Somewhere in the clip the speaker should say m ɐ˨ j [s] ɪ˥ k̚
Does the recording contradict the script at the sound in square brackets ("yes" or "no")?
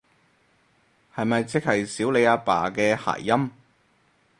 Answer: yes